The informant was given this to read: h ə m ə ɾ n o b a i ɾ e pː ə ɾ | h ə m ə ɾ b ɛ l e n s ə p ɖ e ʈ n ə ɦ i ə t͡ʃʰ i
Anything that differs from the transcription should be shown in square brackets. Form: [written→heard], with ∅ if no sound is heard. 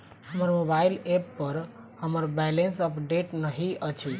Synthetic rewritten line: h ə m ə ɾ [n→m] o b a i [ɾ→l] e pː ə ɾ | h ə m ə ɾ b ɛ l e n s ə p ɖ e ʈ n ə ɦ i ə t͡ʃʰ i